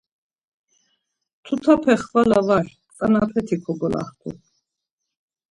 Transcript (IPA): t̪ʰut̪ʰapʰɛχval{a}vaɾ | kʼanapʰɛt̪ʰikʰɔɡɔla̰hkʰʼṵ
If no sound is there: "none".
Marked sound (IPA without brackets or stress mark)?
a